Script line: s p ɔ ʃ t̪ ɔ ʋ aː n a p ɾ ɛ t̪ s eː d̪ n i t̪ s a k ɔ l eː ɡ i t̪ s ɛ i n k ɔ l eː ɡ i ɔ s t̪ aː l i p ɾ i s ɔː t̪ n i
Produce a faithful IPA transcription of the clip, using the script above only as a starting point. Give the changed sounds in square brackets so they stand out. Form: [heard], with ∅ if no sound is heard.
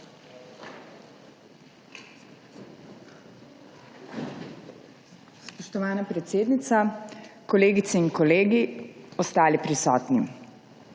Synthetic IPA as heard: s p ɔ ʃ t̪ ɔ ʋ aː n a p ɾ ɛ t̪ s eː d̪ n i t̪ s a k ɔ l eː ɡ i t̪ s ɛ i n k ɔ l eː ɡ i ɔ s t̪ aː l i p ɾ i s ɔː t̪ n i